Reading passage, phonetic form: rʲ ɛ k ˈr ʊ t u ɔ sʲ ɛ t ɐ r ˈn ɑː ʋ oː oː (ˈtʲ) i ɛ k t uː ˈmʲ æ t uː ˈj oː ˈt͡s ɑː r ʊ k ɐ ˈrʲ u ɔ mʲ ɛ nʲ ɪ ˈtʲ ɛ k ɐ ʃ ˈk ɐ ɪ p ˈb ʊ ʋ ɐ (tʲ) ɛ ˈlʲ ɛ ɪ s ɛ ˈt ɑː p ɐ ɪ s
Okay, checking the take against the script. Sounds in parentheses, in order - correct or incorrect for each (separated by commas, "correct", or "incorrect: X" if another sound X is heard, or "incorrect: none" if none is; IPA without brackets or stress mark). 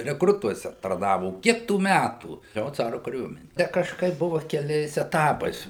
incorrect: kʲ, incorrect: kʲ